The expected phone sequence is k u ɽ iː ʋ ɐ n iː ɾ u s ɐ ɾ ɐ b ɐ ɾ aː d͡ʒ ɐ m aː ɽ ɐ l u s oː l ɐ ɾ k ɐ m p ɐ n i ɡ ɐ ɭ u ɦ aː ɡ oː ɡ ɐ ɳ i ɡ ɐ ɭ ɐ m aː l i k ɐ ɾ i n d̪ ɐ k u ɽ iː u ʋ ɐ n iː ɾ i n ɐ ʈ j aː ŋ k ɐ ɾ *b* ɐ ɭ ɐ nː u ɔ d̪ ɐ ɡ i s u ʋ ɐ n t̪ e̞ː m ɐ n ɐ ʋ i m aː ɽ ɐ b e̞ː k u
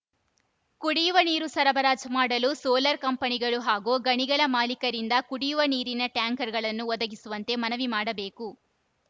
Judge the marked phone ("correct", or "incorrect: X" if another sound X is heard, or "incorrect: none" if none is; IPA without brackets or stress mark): incorrect: ɡ